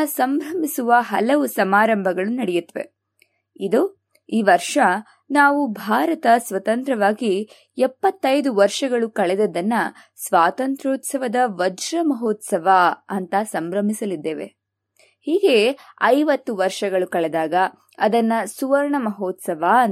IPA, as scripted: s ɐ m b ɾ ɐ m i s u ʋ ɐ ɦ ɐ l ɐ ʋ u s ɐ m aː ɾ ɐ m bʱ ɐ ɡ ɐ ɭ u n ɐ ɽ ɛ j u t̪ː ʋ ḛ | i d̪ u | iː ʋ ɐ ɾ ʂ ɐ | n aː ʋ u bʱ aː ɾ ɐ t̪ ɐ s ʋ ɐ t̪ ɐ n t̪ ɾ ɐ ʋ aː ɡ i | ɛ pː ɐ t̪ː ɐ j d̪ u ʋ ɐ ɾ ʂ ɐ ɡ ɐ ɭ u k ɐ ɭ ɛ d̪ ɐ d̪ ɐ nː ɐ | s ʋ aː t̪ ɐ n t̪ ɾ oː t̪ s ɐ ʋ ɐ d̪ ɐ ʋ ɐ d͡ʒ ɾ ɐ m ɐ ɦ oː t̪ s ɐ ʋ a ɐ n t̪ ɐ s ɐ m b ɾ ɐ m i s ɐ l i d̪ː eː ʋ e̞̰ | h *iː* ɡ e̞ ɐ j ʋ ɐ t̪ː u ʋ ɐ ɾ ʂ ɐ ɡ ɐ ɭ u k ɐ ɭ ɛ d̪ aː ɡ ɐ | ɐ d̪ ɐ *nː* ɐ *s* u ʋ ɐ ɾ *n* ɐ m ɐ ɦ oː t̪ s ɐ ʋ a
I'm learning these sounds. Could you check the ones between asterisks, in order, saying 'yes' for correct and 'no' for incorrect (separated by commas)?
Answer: yes, yes, yes, no